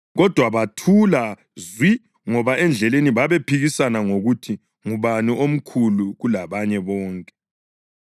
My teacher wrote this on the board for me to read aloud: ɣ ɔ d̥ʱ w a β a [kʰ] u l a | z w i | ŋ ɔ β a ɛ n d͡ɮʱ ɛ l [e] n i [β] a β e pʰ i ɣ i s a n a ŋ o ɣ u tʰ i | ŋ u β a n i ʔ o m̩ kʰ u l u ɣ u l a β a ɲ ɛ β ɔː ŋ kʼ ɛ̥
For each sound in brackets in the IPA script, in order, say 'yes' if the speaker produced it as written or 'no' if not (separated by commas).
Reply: no, yes, yes